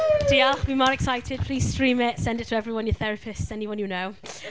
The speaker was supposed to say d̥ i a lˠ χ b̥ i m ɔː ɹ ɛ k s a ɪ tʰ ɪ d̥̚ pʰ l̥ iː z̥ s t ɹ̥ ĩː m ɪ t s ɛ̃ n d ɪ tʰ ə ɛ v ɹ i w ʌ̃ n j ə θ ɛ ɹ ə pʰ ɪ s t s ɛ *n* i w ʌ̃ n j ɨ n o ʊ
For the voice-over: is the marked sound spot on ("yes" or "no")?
yes